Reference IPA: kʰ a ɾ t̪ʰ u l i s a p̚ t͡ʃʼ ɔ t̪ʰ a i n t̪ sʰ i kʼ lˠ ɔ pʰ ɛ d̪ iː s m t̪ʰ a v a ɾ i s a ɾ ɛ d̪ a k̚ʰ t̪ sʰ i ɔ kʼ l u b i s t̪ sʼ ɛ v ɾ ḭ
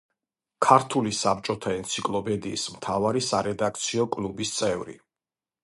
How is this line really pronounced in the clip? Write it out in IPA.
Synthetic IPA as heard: kʰ a ɾ t̪ʰ u l i s a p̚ t͡ʃʼ ɔ t̪ʰ a ɛ n t̪ sʰ i kʼ lˠ ɔ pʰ ɛ d̪ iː s m t̪ʰ a v a ɾ i s a ɾ ɛ d̪ a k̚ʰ t̪ sʰ i ɔ kʼ l u b i s t̪ sʼ ɛ v ɾ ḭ